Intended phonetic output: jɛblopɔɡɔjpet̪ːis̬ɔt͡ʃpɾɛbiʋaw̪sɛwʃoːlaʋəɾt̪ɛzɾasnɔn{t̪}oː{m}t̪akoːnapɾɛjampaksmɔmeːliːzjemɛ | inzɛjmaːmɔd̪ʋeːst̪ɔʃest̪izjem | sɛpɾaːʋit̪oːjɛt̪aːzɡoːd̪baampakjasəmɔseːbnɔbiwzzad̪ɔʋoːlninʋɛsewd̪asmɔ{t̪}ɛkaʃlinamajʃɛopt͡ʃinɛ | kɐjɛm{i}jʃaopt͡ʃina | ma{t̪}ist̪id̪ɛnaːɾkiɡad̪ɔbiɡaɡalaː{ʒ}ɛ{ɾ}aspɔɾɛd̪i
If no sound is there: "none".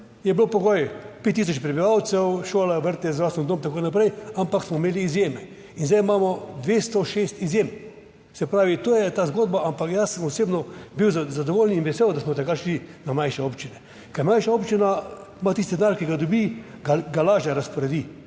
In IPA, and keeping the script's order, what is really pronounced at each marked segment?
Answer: d̪, m, t̪, a, t̪, ʒ, ɾ

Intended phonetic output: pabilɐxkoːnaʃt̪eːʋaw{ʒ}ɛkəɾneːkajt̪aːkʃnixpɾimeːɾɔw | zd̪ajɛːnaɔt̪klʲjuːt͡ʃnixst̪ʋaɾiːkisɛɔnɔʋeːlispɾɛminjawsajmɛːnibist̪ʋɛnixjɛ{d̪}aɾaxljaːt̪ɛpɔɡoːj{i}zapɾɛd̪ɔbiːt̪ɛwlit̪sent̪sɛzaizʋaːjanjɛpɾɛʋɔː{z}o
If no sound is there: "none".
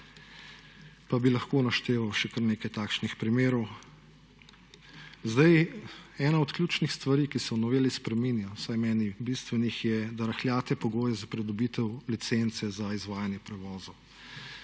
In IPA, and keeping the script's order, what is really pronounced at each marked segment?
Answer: ʃ, d̪, ɛ, z

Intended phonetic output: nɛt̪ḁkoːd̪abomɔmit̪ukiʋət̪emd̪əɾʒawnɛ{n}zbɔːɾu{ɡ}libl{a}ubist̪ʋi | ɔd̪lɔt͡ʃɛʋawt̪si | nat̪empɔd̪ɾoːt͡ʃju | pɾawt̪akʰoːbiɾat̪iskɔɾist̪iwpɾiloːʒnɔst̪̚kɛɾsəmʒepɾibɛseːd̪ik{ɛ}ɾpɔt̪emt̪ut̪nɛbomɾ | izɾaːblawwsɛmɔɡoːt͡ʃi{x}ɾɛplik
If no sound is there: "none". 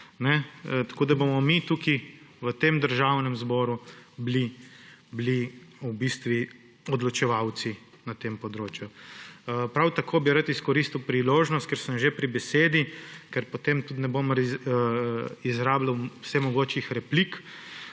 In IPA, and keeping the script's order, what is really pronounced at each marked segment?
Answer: m, b, i, ɛ, x

